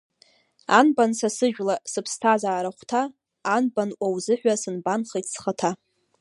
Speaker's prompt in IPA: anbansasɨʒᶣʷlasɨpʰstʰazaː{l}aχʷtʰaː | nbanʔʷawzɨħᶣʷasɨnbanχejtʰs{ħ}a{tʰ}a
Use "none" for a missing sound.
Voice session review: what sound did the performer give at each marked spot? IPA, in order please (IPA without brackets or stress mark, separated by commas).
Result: ɾ, χ, tʰ